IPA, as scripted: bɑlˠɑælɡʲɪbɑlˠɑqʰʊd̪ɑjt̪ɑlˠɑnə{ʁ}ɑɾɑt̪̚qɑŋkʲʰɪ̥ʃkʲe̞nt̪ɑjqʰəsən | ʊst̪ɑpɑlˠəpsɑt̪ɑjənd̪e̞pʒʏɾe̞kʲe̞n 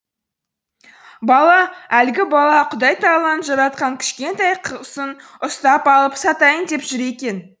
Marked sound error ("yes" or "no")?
yes